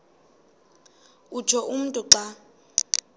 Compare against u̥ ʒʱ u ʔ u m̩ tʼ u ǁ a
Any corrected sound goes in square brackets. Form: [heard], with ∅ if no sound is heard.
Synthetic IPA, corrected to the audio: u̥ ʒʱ [ɔ] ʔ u m̩ tʼ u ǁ a